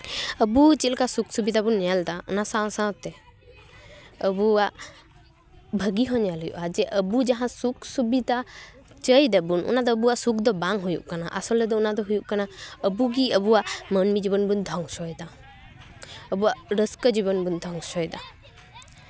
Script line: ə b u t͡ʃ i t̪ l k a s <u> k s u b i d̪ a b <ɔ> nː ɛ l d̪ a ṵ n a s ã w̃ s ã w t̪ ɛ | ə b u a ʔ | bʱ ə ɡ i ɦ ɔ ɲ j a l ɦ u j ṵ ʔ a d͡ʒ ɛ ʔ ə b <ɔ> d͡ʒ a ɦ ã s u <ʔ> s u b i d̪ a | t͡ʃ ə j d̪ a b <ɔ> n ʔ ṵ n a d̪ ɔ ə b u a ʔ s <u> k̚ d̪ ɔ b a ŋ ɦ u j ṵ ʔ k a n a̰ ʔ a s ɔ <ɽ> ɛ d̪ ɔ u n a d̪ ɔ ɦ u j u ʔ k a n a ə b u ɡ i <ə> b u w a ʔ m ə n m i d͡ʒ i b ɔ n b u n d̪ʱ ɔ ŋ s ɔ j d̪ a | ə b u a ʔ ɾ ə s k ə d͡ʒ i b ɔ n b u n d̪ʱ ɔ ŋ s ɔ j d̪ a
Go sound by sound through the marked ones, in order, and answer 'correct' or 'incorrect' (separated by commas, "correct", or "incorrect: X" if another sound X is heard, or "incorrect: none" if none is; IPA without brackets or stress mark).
correct, incorrect: u, incorrect: u, incorrect: k, incorrect: u, correct, incorrect: l, correct